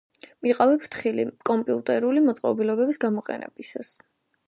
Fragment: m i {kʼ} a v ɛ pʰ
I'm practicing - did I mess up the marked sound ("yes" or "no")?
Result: yes